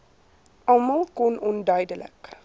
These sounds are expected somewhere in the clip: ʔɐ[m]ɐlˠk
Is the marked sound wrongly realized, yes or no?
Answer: no